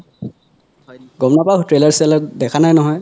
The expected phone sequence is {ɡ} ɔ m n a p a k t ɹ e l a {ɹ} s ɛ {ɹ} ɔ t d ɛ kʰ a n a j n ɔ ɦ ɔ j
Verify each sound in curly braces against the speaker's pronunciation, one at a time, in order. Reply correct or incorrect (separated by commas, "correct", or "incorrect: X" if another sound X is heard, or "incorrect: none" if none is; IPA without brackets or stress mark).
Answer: correct, correct, incorrect: l